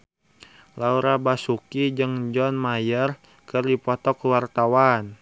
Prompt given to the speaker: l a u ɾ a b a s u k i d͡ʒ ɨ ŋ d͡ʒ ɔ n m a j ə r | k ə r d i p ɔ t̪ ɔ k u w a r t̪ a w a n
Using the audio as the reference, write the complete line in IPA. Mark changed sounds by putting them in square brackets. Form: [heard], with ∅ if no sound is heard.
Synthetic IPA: l a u ɾ a b a s u k i d͡ʒ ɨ ŋ d͡ʒ ɔ n m a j ə r | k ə r d i p ɔ t̪ ɔ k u w a r t̪ a w a n

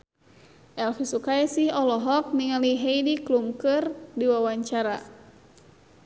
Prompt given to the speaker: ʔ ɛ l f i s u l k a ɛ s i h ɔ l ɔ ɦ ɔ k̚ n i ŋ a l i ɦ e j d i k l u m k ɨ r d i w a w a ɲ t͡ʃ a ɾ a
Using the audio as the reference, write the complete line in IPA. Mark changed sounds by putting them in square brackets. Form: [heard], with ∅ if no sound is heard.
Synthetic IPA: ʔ ɛ l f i s u [∅] k a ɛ s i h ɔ l ɔ ɦ ɔ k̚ n i ŋ a l i ɦ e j d i k l u m k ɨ r d i w a w a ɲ t͡ʃ a ɾ a

